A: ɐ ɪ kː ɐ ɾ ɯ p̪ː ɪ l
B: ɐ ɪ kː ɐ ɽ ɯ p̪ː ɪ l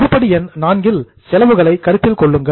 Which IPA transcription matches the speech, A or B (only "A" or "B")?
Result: A